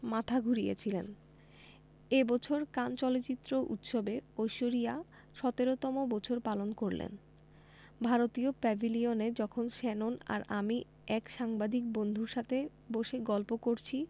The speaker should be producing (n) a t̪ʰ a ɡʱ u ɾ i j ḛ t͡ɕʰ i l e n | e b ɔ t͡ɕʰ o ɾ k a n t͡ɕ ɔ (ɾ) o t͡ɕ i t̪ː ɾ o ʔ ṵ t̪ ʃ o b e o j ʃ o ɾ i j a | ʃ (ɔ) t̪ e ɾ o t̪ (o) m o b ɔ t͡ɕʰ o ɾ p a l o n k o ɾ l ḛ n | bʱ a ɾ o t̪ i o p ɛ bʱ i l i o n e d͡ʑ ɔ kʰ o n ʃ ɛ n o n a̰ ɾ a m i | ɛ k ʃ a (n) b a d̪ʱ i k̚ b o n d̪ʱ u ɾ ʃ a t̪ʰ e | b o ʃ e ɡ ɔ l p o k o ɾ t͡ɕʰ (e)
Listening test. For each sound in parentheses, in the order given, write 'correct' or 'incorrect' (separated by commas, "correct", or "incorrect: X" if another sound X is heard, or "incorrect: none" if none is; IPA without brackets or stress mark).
incorrect: m, incorrect: l, correct, incorrect: ɔ, incorrect: ŋ, incorrect: i